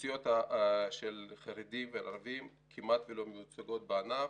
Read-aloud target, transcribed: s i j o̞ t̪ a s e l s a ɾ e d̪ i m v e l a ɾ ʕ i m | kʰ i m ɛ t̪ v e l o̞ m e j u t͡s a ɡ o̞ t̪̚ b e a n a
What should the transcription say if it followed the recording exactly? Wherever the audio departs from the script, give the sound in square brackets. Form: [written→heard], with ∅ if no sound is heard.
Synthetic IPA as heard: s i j o̞ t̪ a [s→ʃ] e l [s→χ] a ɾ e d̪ i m v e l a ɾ [ʕ→v] i m | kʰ i m [ɛ→a] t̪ v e l o̞ m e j u t͡s a ɡ o̞ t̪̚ b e a n a